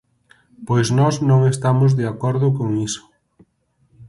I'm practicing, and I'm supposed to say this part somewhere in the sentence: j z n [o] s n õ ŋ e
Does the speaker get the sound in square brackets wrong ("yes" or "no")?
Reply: yes